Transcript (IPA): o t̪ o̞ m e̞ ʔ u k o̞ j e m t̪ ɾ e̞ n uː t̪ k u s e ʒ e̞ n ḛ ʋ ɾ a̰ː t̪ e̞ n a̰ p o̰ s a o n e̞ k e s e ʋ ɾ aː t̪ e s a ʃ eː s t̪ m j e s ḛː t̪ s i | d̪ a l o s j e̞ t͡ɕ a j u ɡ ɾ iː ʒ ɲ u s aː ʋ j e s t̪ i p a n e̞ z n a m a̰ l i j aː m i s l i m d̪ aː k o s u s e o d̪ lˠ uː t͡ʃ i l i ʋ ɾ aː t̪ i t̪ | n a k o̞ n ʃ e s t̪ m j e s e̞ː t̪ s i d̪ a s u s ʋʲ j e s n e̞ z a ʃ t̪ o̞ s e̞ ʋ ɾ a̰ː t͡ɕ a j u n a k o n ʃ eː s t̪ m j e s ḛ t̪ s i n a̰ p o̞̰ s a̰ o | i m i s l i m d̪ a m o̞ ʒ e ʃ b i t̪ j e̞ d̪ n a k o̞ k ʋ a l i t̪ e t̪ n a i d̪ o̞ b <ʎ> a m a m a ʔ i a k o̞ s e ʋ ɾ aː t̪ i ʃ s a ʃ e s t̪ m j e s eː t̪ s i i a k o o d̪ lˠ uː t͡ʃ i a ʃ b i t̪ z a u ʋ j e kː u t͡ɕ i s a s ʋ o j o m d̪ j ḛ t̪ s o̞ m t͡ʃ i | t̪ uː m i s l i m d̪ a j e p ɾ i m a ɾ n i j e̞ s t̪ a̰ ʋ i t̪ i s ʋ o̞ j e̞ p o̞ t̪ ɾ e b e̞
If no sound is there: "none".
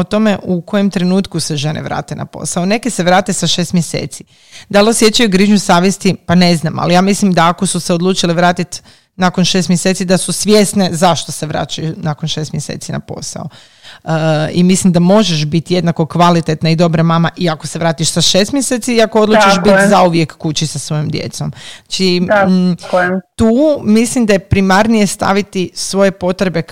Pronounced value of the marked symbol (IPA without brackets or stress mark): ɾ